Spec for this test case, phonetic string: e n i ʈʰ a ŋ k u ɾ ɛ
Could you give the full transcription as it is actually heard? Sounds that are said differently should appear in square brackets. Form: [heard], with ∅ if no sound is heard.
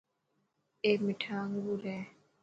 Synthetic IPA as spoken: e [m] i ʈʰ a ŋ [ɡ] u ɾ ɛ